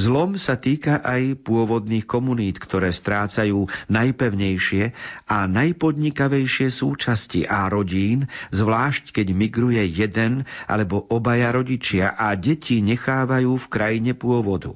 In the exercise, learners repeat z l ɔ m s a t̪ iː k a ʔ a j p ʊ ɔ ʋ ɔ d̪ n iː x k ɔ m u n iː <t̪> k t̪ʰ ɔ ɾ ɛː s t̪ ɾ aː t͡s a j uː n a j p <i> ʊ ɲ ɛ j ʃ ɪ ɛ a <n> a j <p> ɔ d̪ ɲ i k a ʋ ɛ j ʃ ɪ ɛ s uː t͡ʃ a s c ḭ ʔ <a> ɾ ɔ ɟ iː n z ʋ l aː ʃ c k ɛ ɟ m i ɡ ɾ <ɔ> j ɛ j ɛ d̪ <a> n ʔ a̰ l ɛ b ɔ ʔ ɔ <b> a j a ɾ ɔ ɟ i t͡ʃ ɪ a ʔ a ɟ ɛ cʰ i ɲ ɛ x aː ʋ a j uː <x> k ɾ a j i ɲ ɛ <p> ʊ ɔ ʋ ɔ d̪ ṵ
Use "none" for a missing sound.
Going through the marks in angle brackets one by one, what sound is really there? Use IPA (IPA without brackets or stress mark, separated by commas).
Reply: t̪, ɛ, n, p, a, u, ɛ, b, f, p